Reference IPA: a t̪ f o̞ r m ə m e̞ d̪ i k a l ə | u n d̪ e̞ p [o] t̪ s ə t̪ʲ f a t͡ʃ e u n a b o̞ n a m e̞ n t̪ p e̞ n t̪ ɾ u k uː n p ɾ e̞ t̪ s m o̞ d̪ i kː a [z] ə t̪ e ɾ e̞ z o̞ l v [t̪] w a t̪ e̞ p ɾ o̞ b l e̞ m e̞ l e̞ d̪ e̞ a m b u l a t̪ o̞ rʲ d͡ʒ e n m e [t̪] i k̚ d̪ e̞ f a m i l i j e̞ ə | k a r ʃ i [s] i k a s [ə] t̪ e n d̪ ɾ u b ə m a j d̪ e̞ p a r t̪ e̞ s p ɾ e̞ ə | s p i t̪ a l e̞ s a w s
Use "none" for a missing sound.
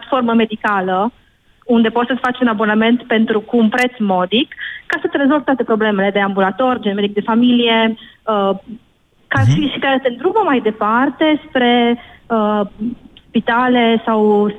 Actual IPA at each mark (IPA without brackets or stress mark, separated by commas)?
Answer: o, s, t̪, d̪, ʃ, ə